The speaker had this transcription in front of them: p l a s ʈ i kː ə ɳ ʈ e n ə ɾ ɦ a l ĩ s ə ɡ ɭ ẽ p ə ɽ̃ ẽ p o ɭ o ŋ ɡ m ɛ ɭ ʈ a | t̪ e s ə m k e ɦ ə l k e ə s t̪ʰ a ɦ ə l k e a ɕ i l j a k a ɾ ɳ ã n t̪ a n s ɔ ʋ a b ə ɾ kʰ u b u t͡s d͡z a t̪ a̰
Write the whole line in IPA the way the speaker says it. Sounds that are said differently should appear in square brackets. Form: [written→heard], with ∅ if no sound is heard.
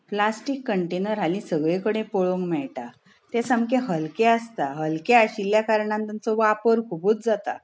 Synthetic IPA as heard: p l a s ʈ i kː ə ɳ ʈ e n ə ɾ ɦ a l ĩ s ə ɡ ɭ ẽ [p→k] ə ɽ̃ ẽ p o ɭ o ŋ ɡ m ɛ ɭ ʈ a | t̪ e s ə m k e ɦ ə l k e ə s [t̪ʰ→t̪] a ɦ ə l k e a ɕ i l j a k a ɾ ɳ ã n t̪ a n [s→t͡s] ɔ ʋ a [b→p] ə ɾ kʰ u b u t͡s d͡z a t̪ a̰